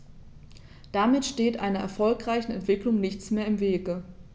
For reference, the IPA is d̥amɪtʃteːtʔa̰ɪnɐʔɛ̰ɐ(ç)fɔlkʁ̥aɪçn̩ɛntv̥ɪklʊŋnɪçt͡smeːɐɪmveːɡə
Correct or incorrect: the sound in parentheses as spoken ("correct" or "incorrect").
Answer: incorrect